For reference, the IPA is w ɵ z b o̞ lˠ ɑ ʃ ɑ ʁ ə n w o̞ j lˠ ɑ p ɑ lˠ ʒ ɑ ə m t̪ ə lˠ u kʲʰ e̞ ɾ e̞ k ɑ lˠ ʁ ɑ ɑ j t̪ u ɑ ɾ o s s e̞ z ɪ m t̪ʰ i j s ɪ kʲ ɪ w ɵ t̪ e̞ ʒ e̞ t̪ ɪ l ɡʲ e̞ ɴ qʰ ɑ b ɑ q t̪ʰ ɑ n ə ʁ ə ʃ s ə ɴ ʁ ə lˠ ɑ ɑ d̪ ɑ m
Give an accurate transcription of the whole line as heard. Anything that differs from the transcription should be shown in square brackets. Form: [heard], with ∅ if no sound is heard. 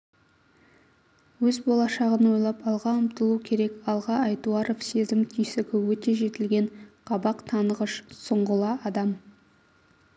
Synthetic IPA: w ɵ z b o̞ lˠ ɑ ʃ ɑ ʁ ə n w o̞ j lˠ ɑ p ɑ lˠ [ʁ] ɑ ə m t̪ ə lˠ u kʲʰ e̞ ɾ e̞ k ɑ lˠ ʁ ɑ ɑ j t̪ u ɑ ɾ o [f] s e̞ z ɪ m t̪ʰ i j s ɪ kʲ ɪ w ɵ t̪ e̞ ʒ e̞ t̪ ɪ l ɡʲ e̞ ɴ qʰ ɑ b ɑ q t̪ʰ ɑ n ə ʁ ə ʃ s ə ɴ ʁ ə lˠ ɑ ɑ d̪ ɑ m

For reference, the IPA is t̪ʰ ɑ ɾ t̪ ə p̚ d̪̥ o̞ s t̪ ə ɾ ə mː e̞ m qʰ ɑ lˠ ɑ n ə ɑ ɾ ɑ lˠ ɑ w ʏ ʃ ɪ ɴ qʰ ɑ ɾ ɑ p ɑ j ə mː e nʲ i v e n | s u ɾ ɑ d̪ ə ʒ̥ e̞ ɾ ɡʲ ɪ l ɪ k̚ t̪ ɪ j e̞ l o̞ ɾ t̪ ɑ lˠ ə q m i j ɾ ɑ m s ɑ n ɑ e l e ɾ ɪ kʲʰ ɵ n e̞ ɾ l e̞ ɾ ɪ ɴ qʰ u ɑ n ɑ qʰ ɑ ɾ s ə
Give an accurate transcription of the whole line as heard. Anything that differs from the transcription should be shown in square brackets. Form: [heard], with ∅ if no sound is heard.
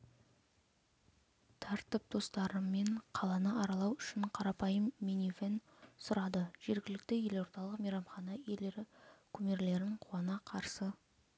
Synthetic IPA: t̪ʰ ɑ ɾ t̪ ə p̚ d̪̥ o̞ s t̪ [ɑ] ɾ ə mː e̞ [ɴ] qʰ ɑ lˠ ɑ n ə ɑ ɾ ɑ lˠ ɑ w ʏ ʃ ɪ ɴ qʰ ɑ ɾ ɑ p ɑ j ə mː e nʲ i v e n | s [ʊ] ɾ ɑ d̪ ə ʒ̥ e̞ ɾ ɡʲ ɪ l ɪ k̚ t̪ ɪ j e̞ l o̞ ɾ t̪ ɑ lˠ ə q m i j ɾ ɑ m [χ] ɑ n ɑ e l e ɾ ɪ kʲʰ ɵ [m] e̞ ɾ l e̞ ɾ ɪ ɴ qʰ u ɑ n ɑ qʰ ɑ ɾ s ə

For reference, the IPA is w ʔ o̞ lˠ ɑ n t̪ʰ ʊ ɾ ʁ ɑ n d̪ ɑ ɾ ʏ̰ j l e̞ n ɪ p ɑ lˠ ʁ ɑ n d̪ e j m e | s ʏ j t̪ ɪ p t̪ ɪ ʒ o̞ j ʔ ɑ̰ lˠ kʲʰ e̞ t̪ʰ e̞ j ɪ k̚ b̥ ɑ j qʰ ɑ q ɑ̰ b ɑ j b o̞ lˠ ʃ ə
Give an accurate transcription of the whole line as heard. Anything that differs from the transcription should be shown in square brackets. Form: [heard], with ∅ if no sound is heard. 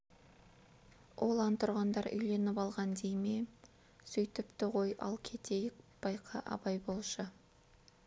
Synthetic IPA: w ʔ o̞ lˠ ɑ n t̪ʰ ʊ ɾ ʁ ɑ n d̪ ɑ ɾ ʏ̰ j l e̞ n ɪ p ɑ lˠ ʁ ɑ n d̪ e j m e | s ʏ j t̪ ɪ p t̪ ɪ [ʁ] o̞ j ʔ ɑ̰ lˠ kʲʰ e̞ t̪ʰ e̞ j ɪ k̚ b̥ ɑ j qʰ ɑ [ʔ] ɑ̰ b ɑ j b o̞ lˠ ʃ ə

